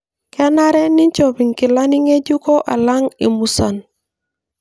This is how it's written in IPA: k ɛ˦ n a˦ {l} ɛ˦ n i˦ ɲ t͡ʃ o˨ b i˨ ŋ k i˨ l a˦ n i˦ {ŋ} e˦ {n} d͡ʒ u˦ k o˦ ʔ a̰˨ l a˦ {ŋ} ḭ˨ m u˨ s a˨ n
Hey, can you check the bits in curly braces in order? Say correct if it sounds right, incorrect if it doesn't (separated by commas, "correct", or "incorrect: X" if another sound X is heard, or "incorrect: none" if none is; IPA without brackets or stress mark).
incorrect: ɾ, correct, incorrect: none, correct